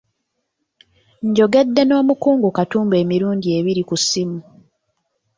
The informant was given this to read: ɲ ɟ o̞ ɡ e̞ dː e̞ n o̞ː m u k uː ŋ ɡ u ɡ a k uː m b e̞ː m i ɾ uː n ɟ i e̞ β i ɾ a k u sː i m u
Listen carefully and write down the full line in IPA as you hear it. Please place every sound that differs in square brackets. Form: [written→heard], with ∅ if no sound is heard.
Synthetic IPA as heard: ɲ ɟ o̞ ɡ e̞ dː e̞ n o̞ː m u k uː ŋ ɡ u [ɡ→k] a [k→t] uː m b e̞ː m i ɾ uː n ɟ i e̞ β i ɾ [a→i] k u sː i m u